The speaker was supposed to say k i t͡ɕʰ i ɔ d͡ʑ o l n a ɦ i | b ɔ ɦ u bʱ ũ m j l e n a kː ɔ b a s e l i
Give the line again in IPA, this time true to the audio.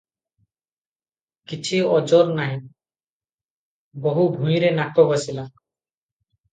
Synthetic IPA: k i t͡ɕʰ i ɔ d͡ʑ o ɾ n a ɦ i | b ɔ ɦ u bʱ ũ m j ɾ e n a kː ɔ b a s i l a